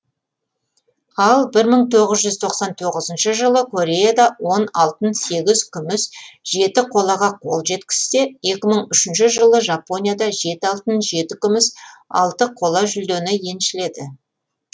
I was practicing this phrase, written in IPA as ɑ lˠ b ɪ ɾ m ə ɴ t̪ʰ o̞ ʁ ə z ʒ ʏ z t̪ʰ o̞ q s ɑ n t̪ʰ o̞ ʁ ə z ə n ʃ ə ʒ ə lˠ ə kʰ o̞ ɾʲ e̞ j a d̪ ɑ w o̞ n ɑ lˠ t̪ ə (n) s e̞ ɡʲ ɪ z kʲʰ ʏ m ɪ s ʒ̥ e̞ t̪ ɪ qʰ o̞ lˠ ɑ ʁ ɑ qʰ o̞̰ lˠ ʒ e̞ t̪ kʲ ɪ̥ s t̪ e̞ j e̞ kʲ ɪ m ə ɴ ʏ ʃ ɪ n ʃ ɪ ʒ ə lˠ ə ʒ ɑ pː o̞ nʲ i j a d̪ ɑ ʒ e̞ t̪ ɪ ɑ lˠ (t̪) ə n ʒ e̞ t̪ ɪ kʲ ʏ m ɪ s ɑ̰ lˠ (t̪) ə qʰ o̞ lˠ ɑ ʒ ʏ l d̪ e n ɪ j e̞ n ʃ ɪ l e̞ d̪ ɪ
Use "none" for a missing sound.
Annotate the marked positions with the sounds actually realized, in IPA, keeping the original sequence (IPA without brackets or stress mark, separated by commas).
n, t̪, t̪